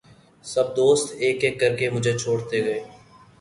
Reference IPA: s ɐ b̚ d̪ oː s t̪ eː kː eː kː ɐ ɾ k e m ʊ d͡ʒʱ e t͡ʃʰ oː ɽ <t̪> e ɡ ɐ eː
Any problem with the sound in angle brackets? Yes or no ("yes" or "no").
no